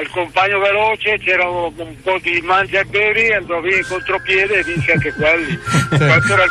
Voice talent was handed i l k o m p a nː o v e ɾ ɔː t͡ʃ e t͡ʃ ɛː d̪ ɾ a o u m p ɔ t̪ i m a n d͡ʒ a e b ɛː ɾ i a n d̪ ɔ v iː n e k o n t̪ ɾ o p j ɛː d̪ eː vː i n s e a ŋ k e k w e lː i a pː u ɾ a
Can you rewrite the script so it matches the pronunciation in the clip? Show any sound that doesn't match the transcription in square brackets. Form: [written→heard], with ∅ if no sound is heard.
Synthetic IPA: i l k o m p a [nː→ɲː] o v e [ɾ→l] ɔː t͡ʃ e t͡ʃ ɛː [d̪→∅] ɾ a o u m p ɔ [t̪→d̪] i m a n d͡ʒ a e b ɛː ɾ i a n d̪ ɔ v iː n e k o n t̪ ɾ o p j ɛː d̪ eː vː i n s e a ŋ k e k w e lː i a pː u ɾ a